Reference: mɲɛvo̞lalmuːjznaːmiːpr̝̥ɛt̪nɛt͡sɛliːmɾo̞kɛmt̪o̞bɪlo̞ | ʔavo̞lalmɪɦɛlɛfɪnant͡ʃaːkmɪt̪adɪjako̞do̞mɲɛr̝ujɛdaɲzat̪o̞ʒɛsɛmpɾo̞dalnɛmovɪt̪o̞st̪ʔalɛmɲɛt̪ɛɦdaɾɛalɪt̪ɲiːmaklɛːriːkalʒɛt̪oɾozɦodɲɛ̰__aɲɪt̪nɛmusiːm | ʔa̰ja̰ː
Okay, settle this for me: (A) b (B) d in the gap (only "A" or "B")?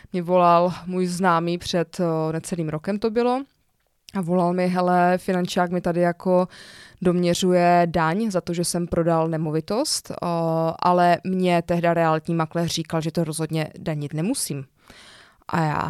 B